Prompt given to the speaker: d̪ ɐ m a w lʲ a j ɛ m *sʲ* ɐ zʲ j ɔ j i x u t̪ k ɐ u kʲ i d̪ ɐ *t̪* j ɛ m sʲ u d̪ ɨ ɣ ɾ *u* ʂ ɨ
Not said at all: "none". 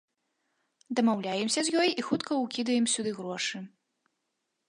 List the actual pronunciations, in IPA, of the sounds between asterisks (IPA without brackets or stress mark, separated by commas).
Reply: sʲ, none, ɔ